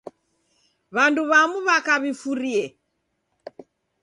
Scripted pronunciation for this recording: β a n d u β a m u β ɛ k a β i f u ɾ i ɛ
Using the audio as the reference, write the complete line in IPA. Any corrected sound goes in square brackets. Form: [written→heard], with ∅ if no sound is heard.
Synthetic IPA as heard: β a n d u β a m u β [ɛ→a] k a β i f u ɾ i ɛ